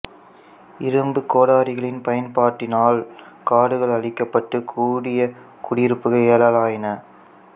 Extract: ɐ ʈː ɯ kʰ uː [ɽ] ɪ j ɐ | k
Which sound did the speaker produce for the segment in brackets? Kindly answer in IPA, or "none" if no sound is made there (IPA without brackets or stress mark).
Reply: ɽ